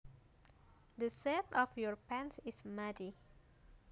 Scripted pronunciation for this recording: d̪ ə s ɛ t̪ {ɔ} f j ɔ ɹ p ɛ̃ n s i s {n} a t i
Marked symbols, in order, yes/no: yes, no

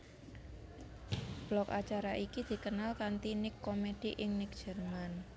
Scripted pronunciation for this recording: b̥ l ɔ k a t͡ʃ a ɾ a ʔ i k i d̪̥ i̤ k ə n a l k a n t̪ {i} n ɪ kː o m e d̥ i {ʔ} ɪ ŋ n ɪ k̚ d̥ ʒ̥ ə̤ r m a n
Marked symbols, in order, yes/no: yes, yes

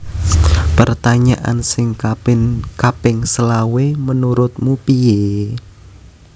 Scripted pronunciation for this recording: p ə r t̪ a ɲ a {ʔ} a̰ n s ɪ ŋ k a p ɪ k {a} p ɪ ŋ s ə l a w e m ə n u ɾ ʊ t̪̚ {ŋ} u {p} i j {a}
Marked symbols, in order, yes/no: yes, yes, no, yes, no

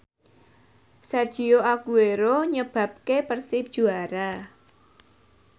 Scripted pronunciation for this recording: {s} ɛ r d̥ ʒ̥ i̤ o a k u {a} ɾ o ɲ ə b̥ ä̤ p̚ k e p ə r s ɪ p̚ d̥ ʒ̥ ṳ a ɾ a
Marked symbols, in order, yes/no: yes, no

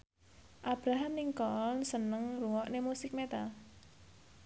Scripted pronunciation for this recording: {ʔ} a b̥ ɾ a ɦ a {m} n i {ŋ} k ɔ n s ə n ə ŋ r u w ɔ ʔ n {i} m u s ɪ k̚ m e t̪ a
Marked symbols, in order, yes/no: yes, yes, yes, no

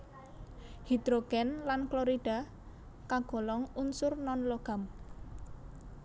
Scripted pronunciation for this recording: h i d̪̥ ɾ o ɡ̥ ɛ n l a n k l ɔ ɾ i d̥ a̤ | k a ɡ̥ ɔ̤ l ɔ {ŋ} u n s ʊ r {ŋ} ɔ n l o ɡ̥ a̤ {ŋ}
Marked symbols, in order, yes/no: yes, no, no

